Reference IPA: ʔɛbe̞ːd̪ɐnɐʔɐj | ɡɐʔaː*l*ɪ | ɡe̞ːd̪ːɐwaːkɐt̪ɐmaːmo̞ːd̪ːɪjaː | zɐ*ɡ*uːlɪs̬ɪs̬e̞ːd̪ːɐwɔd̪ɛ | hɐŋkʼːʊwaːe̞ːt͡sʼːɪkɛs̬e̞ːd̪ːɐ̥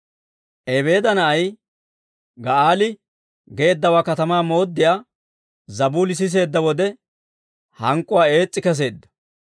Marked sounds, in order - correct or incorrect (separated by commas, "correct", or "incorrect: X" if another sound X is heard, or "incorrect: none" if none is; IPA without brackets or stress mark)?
correct, incorrect: b